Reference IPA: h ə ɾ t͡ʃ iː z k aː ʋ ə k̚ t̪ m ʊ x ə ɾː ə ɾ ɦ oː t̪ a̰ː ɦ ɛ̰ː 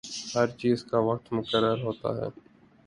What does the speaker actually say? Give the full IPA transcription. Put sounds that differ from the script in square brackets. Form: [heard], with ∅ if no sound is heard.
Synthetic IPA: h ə ɾ t͡ʃ iː z k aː ʋ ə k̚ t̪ m ʊ [k] ə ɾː ə ɾ ɦ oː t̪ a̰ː ɦ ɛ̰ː